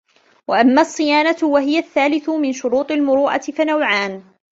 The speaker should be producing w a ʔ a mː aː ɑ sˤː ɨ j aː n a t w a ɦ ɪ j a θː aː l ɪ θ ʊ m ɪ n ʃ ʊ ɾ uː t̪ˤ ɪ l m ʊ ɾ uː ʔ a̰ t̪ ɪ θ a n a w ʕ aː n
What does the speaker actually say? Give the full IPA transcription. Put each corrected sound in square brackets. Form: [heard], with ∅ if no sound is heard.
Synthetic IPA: w a ʔ a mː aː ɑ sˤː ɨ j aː n a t w a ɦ ɪ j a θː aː l ɪ θ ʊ m ɪ n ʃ ʊ ɾ uː t̪ˤ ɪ l m ʊ ɾ uː ʔ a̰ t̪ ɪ [f] a n a w ʕ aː n

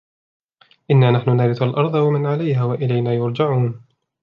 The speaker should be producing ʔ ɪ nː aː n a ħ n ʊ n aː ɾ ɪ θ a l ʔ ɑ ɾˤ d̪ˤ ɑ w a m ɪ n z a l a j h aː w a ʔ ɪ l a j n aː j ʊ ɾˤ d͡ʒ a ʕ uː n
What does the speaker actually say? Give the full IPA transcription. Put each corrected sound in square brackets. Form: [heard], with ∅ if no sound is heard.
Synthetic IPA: ʔ ɪ nː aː n a ħ n ʊ n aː ɾ ɪ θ a l ʔ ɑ ɾˤ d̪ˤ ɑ w a m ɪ n [ʕ] a l a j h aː w a ʔ ɪ l a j n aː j ʊ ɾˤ d͡ʒ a ʕ uː n

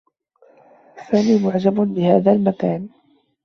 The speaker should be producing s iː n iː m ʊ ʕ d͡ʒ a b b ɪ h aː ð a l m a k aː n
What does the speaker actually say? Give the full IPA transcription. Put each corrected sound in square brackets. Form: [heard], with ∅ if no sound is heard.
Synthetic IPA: s [aː] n iː m ʊ ʕ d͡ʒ a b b ɪ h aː ð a l m a k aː n

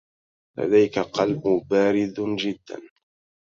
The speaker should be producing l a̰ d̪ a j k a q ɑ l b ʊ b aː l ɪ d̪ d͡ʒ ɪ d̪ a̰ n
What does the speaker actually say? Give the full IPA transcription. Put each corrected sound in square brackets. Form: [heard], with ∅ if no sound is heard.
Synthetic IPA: l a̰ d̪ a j k a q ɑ l b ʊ b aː [ɾ] ɪ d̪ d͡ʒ ɪ [d̪ː] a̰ n

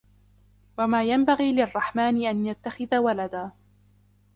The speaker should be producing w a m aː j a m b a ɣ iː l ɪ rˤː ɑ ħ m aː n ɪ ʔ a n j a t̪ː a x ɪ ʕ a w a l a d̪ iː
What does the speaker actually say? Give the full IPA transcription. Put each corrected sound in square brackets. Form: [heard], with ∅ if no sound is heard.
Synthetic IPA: w a m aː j a m b a ɣ iː l ɪ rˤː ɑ ħ m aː n ɪ ʔ a n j a t̪ː a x ɪ [ð] a w a l a d̪ [aː]

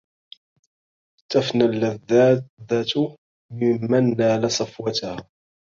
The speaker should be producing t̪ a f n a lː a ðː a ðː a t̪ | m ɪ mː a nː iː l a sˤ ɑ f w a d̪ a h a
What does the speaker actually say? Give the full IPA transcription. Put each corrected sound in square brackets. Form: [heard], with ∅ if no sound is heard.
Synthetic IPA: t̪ a f n a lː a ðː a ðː a t̪ | m ɪ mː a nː [aː] l a sˤ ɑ f w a [t̪] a h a

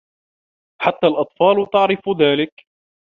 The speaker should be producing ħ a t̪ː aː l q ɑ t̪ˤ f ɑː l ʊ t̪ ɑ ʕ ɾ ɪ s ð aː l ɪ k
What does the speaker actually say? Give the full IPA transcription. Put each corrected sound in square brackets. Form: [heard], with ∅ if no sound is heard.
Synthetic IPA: ħ a t̪ː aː l [ʔ] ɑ t̪ˤ f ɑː l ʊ t̪ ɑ ʕ ɾ ɪ [f] ð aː l ɪ k

